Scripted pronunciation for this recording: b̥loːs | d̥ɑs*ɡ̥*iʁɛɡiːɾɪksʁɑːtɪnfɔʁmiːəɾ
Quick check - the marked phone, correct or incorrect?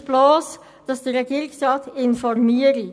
incorrect